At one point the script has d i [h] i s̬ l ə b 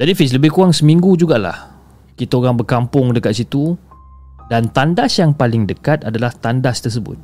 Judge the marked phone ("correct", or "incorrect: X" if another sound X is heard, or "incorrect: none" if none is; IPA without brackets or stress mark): incorrect: f